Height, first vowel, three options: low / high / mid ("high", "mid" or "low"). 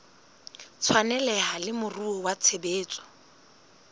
low